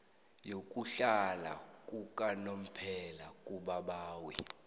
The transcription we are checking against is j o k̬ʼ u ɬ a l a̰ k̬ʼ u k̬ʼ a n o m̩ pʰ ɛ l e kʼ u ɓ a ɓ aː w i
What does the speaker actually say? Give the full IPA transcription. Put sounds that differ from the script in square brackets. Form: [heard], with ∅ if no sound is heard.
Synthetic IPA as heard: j o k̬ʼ u ɬ a l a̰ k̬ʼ u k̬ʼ a n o m̩ pʰ ɛ l [a] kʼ u ɓ a ɓ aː w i